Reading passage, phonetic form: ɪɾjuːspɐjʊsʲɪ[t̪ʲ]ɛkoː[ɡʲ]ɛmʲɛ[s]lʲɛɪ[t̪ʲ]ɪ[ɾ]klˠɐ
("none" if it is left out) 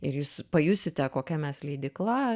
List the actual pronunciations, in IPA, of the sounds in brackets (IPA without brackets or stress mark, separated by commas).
t̪ʲ, kʲ, s, d̪ʲ, none